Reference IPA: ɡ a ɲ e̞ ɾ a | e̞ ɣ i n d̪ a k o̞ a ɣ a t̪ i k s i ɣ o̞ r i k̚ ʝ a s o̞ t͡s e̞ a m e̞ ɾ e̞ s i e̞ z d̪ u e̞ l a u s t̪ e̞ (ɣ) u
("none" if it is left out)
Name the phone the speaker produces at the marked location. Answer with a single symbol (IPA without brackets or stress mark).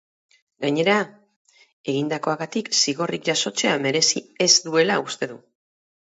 ð